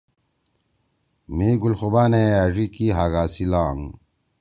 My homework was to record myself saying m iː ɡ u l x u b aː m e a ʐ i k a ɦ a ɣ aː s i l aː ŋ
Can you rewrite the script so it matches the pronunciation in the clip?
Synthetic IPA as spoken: m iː ɡ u l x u b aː n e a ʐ i k i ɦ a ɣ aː s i l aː ŋ